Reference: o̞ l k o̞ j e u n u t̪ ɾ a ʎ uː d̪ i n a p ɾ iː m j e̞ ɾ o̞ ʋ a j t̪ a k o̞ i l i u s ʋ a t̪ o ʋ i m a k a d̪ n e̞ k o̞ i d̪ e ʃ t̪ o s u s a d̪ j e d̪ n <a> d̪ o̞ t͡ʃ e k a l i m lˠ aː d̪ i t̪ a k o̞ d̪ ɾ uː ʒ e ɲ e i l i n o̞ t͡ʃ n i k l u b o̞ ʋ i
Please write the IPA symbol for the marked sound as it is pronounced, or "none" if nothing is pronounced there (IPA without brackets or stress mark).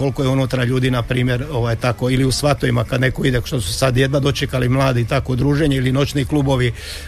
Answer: a